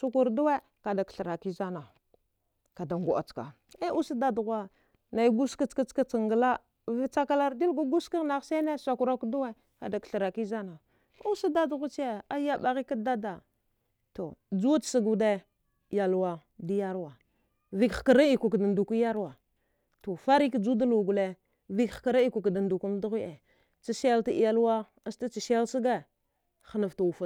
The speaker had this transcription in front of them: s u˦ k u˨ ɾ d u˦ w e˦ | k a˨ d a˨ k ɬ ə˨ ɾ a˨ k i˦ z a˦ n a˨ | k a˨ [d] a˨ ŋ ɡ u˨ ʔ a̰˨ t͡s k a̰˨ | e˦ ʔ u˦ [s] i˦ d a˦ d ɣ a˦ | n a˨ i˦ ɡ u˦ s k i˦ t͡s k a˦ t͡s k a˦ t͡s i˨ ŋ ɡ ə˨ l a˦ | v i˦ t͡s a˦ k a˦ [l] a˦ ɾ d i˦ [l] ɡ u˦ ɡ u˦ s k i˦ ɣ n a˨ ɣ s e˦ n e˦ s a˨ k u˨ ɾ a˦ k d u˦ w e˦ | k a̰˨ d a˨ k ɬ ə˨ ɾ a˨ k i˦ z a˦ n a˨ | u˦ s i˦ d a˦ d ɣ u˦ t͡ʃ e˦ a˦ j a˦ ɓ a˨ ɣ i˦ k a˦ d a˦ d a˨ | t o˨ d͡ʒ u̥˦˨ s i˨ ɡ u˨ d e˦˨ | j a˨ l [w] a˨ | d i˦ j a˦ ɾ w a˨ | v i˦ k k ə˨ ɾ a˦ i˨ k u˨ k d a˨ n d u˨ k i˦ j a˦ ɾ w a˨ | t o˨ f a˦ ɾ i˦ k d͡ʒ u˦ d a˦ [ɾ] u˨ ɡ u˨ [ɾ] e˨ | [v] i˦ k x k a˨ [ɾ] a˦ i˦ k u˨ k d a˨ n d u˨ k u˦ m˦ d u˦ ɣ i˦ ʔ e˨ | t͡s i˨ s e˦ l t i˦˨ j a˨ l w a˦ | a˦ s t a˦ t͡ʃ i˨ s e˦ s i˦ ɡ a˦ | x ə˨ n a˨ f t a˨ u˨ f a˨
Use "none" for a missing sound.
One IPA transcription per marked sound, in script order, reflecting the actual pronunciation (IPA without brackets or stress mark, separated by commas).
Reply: d, s, l, l, w, l, l, v, ɾ